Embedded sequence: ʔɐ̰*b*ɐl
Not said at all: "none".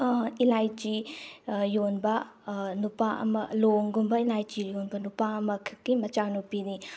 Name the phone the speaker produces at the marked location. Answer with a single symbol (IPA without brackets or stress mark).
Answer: m